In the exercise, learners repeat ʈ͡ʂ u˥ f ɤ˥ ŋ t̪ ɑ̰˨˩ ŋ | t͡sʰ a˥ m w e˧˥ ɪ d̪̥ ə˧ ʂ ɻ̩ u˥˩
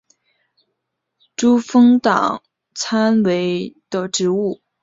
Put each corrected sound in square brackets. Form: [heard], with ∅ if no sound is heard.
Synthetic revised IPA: ʈ͡ʂ u˥ f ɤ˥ ŋ t̪ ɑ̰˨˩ ŋ | t͡sʰ a˥ [n] w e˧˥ ɪ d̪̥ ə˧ [ʈ͡ʂ] ɻ̩ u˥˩